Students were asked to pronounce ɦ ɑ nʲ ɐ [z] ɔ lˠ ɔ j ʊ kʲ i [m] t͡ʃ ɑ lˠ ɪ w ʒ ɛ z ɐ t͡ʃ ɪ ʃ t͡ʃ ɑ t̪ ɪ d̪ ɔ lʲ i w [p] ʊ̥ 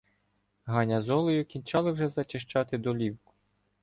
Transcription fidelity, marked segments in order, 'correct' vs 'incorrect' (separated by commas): correct, incorrect, incorrect